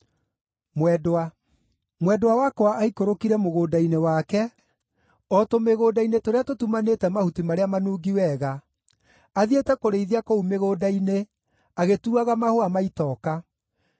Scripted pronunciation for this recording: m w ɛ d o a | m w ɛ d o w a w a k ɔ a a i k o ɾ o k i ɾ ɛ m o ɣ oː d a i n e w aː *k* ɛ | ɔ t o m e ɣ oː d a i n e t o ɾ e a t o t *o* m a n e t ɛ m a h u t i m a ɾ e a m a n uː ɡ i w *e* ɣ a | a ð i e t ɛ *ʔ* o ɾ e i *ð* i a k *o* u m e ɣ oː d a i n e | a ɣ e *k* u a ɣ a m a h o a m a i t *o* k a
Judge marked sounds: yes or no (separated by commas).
yes, no, no, no, yes, yes, no, no